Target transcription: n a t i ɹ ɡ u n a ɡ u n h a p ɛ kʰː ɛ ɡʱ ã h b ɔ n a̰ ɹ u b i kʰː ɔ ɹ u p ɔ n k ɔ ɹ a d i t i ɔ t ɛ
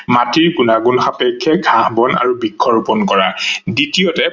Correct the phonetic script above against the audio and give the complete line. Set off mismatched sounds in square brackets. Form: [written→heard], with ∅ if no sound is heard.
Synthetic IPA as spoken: [n→m] a t i ɹ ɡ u n a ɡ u n [h→x] a p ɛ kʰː ɛ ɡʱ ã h b ɔ n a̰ ɹ u b i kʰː ɔ ɹ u p ɔ n k ɔ ɹ a d i t i ɔ t ɛ

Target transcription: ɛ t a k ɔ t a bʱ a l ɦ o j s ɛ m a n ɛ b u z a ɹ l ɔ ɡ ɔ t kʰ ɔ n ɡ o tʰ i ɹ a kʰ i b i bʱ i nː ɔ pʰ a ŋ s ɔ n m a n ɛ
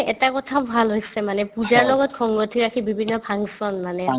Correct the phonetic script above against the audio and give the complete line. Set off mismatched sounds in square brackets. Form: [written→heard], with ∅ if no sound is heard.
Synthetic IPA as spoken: ɛ t a k ɔ [t→tʰ] a bʱ a l ɦ o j s ɛ m a n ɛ [b→p] u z a ɹ l ɔ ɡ ɔ t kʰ ɔ [n→ŋ] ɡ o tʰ i ɹ a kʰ i b i bʱ i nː ɔ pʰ a ŋ s ɔ n m a n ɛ

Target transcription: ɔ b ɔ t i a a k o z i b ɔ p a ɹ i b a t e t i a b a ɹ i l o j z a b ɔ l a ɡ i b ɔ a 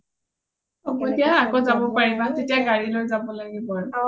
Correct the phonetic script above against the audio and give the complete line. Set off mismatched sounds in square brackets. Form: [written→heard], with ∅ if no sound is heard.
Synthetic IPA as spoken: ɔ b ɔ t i a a k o z [i→a] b ɔ p a ɹ i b a t e t i a [b→ɡ] a ɹ i l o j z a b ɔ l a ɡ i b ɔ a

